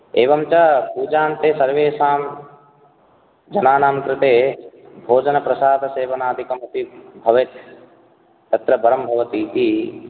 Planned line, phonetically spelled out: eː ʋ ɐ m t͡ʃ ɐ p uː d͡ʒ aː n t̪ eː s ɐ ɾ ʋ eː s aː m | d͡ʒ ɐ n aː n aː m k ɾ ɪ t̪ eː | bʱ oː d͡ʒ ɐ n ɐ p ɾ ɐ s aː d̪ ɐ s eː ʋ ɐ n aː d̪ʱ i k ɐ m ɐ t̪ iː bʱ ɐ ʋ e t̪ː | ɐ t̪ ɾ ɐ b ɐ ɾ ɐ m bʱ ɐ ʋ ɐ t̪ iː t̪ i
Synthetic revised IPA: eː ʋ ɐ m t͡ʃ ɐ p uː d͡ʒ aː n t̪ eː s ɐ ɾ ʋ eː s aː m | d͡ʒ ɐ n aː n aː m k ɾ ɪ t̪ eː | bʱ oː d͡ʒ ɐ n ɐ p ɾ ɐ s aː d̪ ɐ s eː ʋ ɐ n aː d̪ʱ i k ɐ m ɐ t̪ i bʱ ɐ ʋ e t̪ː | ɐ t̪ ɾ ɐ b ɐ ɾ ɐ m bʱ ɐ ʋ ɐ t̪ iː t̪ i